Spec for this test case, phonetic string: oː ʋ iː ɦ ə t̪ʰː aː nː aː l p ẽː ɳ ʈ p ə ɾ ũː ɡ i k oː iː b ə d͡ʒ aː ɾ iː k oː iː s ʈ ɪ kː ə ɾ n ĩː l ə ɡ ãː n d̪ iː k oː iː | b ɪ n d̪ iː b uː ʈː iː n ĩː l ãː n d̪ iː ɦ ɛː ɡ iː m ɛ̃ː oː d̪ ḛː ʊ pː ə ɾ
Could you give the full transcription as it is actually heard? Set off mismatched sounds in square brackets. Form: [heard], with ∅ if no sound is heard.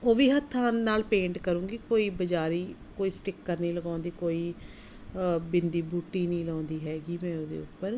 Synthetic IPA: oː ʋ iː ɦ ə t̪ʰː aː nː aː l p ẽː ɳ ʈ [k] ə ɾ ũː ɡ i k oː iː b ə d͡ʒ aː ɾ iː k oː iː s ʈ ɪ kː ə ɾ n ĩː l ə ɡ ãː n d̪ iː k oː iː | b ɪ n d̪ iː b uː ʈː iː n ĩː l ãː n d̪ iː ɦ ɛː ɡ iː m ɛ̃ː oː d̪ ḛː ʊ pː ə ɾ

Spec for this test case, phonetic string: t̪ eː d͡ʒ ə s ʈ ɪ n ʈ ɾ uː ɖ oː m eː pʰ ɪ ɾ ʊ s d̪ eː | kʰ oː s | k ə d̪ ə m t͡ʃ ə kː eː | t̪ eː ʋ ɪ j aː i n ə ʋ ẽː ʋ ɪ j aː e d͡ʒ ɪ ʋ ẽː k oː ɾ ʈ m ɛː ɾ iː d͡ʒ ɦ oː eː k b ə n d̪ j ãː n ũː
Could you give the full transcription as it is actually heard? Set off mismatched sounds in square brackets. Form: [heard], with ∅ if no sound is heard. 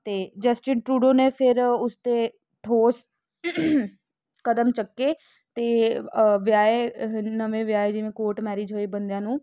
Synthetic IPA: t̪ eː d͡ʒ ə s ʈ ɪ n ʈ ɾ uː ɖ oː [n] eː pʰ ɪ ɾ ʊ s [t̪] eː | [ʈʰ] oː s | k ə d̪ ə m t͡ʃ ə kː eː | t̪ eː ʋ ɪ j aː [e] n ə ʋ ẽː ʋ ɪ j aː e d͡ʒ ɪ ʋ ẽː k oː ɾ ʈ m ɛː ɾ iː d͡ʒ ɦ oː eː [∅] b ə n d̪ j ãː n ũː

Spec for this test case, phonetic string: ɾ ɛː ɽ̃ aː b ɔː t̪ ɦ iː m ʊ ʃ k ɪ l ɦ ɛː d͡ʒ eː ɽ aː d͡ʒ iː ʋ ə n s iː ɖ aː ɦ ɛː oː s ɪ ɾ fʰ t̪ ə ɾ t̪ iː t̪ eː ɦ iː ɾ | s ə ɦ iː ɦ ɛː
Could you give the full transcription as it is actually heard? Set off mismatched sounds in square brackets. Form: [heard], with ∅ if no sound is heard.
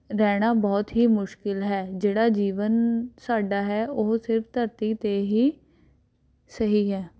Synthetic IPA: ɾ ɛː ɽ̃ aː b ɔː t̪ ɦ iː m ʊ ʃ k ɪ l ɦ ɛː d͡ʒ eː ɽ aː d͡ʒ iː ʋ ə n s [aː] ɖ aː ɦ ɛː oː s ɪ ɾ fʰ t̪ ə ɾ t̪ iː t̪ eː ɦ iː [∅] | s ə ɦ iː ɦ ɛː

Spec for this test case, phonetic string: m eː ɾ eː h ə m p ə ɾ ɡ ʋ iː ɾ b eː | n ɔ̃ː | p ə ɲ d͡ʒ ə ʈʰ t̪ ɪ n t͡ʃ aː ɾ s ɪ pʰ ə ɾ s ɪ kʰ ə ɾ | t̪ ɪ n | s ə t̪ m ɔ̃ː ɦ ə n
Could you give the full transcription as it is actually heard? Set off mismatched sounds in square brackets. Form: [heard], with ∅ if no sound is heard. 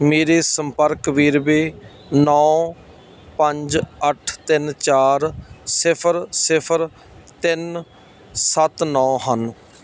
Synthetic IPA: m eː ɾ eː [s] ə m p ə ɾ [k] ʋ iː ɾ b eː | n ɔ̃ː | p ə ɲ d͡ʒ ə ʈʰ t̪ ɪ n t͡ʃ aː ɾ s ɪ pʰ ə ɾ s ɪ [pʰ] ə ɾ | t̪ ɪ n | s ə t̪ [n] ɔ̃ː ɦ ə n

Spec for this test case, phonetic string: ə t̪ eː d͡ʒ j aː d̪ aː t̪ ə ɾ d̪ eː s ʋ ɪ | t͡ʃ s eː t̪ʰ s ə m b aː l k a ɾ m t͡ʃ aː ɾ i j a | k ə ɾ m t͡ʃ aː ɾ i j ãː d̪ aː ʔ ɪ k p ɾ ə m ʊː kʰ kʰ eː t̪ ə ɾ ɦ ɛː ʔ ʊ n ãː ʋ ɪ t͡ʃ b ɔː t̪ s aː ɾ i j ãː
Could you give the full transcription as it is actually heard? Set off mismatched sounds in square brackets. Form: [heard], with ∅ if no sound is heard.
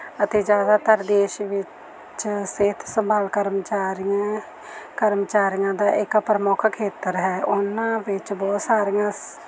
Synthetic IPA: ə t̪ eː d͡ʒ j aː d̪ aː t̪ ə ɾ d̪ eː [ʃ] ʋ ɪ | t͡ʃ s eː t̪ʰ s ə m b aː l k [ə] ɾ m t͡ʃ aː ɾ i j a | k ə ɾ m t͡ʃ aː ɾ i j ãː d̪ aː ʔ ɪ k p ɾ ə m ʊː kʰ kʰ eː t̪ ə ɾ ɦ ɛː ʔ ʊ n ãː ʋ ɪ t͡ʃ b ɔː t̪ s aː ɾ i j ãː

